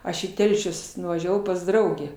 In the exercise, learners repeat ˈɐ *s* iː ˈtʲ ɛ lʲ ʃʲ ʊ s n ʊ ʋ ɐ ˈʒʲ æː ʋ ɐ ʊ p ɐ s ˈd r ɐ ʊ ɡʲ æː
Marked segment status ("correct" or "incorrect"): incorrect